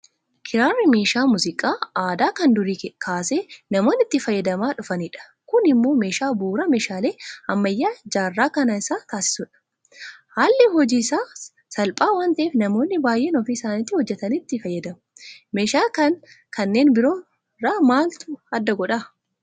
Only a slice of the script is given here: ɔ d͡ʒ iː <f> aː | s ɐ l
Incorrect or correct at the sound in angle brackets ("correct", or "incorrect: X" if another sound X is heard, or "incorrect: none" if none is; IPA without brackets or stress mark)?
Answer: incorrect: s